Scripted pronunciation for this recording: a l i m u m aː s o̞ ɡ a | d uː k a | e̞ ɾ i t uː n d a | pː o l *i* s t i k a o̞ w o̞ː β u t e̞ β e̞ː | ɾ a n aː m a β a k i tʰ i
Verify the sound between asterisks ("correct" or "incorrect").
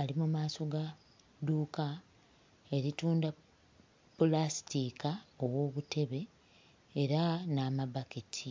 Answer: incorrect